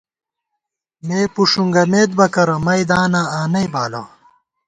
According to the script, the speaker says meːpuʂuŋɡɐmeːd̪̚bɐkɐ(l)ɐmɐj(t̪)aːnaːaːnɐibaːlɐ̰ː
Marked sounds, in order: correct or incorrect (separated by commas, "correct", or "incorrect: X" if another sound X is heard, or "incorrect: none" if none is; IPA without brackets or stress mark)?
incorrect: ɾ, incorrect: d̪